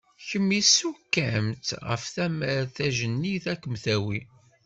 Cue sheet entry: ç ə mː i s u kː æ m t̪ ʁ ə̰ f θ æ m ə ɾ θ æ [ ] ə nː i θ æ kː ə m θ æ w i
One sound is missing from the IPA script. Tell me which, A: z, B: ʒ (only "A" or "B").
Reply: B